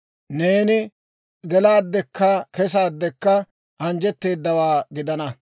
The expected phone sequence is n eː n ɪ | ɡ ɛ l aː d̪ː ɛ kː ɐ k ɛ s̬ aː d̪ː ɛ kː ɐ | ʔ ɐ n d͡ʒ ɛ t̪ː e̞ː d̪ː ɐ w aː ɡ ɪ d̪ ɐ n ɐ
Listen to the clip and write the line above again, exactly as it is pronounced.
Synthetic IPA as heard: n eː n ɪ | ɡ ɛ l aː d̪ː ɛ kː ɐ k ɛ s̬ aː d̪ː ɛ kː ɐ | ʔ ɐ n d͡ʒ ɛ t̪ː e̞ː d̪ː ɐ w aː ɡ ɪ d̪ ɐ n ɐ